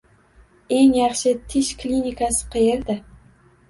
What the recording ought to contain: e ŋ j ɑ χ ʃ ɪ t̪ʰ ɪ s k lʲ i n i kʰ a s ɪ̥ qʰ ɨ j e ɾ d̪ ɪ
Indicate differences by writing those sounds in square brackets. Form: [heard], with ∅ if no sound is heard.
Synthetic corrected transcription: e ŋ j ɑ χ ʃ ɪ t̪ʰ ɪ [ʃ] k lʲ i n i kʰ a s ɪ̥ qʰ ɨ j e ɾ d̪ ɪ